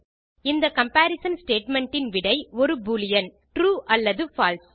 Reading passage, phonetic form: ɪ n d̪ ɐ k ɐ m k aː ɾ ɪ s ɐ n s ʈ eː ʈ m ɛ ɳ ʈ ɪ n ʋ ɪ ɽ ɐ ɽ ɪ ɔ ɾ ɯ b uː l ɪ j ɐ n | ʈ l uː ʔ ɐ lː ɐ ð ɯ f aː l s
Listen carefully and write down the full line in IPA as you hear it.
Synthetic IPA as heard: ɪ n d̪ ɐ k ɐ m p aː ɾ ɪ s ɐ n s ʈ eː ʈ m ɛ ɳ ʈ ɪ n ʋ ɪ ɽ ɐ ɪ ɔ ɾ ɯ b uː l ɪ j ɐ n | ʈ ɾ uː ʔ ɐ lː ɐ ð ɯ f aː l s